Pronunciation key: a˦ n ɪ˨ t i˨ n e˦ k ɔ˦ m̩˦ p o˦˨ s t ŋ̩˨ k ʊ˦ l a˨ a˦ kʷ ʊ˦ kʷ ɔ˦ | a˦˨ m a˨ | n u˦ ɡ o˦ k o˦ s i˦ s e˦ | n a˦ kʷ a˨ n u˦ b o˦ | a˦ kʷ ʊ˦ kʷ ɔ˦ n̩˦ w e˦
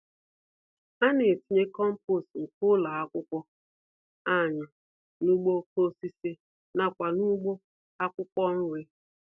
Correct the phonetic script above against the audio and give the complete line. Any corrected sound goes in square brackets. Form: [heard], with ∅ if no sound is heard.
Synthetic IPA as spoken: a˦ n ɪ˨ t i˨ [ɲ] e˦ k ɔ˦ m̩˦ p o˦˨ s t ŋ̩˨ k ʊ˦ l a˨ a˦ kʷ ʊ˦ kʷ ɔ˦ | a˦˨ [ɲ] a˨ | n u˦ [ɡ͡b] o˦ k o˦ s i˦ s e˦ | n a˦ kʷ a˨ n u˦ [ɡ͡b] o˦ | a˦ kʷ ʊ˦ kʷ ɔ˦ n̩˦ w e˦